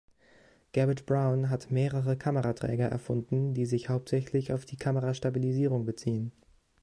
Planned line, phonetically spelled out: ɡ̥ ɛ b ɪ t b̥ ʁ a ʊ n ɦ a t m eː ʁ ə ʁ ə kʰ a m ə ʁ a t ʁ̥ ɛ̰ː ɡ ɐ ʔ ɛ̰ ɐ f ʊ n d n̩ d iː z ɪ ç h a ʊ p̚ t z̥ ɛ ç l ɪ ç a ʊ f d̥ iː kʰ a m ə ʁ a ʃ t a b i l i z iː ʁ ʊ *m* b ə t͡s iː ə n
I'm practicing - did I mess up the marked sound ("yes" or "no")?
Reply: yes